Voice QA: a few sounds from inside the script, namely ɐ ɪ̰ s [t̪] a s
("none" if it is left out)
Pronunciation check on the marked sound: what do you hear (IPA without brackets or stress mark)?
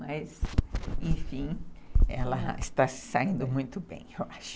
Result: t̪